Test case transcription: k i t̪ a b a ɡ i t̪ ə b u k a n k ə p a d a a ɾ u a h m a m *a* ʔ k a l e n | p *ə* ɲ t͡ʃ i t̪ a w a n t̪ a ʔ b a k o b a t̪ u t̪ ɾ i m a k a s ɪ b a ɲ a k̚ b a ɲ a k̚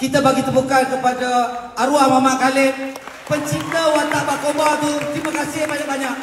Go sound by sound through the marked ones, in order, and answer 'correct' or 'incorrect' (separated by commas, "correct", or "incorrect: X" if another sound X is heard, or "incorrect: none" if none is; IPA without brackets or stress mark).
correct, correct